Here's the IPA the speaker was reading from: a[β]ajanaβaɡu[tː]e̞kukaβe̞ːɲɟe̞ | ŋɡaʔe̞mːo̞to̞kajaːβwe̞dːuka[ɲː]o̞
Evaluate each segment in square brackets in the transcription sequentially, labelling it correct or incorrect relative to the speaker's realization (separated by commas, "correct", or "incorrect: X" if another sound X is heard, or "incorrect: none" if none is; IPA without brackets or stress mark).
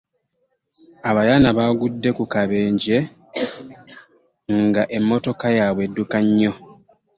correct, incorrect: dː, correct